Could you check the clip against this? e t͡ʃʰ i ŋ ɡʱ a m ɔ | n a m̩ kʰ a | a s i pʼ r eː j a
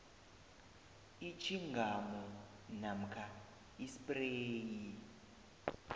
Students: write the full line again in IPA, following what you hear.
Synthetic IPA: i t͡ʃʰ i ŋ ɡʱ a m ɔ | n a m̩ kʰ a | i s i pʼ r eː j i